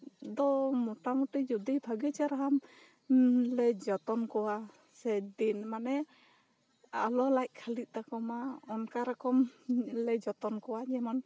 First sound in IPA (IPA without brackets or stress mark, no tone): d̪